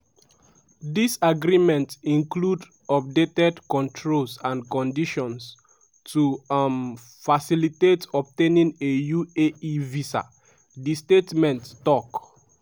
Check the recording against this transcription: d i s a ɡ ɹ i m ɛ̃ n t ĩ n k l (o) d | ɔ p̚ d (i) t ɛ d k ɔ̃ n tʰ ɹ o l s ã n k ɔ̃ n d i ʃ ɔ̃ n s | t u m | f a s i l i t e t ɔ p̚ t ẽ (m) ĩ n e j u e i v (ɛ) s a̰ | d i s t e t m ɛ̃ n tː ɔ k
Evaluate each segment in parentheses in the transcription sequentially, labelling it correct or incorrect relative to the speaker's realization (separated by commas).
incorrect, incorrect, incorrect, incorrect